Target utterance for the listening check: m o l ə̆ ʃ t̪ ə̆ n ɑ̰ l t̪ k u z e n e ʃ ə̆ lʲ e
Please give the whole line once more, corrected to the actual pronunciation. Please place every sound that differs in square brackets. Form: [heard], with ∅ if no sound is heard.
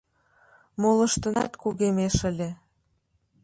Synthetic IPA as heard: m o l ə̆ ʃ t̪ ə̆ n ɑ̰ [∅] t̪ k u [ɣ] e [m] e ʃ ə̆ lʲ e